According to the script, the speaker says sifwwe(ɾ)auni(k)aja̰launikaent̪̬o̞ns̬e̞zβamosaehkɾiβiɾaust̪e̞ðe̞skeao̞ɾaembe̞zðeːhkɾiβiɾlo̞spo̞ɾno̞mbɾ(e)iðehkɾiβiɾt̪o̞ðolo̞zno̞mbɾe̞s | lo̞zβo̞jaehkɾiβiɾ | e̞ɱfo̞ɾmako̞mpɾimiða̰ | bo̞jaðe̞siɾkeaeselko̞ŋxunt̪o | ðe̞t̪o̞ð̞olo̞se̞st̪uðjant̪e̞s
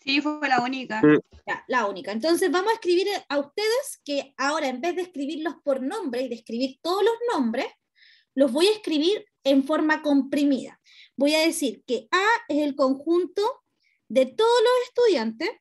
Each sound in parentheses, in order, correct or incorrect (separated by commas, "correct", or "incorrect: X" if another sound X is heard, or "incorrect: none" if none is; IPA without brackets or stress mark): incorrect: l, correct, correct